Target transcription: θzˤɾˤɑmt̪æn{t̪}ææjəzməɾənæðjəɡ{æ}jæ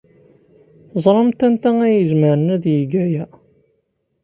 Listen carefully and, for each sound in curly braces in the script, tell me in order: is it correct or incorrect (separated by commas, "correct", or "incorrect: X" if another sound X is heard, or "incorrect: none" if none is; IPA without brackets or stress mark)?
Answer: correct, correct